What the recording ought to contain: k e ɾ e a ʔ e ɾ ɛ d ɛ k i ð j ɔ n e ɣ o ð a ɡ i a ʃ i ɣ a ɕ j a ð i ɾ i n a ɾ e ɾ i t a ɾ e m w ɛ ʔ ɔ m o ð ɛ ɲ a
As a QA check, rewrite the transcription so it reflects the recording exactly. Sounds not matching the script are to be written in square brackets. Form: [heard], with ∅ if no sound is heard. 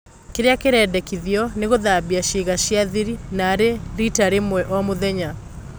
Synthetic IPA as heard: k e ɾ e a [k] e ɾ ɛ d ɛ k i ð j ɔ n e ɣ o ð a [b] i a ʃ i ɣ a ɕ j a ð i ɾ i n a ɾ e ɾ i t a ɾ e m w ɛ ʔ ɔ m o ð ɛ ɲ a